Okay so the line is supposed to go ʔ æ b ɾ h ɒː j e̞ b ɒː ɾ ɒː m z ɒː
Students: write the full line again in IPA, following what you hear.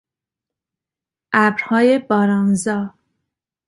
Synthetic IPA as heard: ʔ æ b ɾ h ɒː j e̞ b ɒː ɾ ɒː n z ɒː